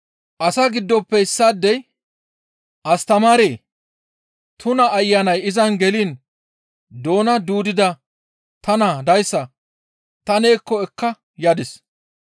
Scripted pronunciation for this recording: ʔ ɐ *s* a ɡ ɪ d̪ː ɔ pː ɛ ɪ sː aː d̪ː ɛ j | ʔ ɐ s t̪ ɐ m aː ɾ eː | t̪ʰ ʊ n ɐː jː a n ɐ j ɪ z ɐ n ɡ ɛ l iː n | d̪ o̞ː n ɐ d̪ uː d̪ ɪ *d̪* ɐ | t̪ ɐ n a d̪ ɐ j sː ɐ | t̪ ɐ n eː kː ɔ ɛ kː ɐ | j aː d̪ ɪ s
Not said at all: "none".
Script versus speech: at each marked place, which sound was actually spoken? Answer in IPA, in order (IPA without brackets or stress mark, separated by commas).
s, d̪